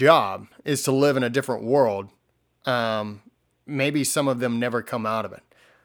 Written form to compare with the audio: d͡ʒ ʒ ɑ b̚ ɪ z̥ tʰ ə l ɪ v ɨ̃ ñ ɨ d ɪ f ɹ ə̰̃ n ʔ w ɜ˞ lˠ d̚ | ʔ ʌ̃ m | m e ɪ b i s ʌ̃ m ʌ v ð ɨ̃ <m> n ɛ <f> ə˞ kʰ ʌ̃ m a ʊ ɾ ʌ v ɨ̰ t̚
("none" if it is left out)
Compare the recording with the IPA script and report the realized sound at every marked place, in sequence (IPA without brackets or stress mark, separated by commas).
m, v